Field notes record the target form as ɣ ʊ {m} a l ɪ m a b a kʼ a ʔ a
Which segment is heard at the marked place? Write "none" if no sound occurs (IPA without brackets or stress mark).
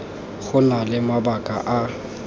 n